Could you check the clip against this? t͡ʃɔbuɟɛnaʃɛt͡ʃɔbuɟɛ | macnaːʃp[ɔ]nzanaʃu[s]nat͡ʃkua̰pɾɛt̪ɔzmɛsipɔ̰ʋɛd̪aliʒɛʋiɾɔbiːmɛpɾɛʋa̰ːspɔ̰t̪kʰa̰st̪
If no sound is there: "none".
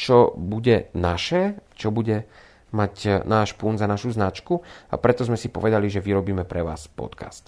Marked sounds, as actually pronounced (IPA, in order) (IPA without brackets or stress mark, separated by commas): u, z